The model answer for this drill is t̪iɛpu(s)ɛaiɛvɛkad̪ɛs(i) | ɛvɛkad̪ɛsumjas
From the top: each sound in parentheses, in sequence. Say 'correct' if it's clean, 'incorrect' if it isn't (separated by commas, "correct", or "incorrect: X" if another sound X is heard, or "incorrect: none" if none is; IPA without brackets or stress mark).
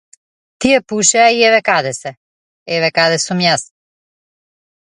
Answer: incorrect: ʃ, incorrect: ɛ